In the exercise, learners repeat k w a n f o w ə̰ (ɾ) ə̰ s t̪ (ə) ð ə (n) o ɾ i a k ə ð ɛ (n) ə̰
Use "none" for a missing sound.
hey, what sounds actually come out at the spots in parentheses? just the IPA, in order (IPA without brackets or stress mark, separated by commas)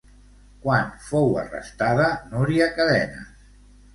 r, a, n, n